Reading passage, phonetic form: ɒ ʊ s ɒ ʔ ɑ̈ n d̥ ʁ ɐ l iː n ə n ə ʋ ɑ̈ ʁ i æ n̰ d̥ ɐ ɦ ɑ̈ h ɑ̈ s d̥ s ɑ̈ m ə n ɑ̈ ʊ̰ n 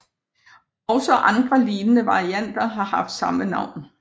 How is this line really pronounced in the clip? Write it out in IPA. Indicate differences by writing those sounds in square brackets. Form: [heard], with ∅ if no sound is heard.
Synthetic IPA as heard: ɒ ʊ s ɒ ʔ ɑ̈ n d̥ ʁ ɐ l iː n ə n ə ʋ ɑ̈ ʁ i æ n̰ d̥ ɐ ɦ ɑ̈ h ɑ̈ [f] d̥ s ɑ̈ m ə n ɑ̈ ʊ̰ n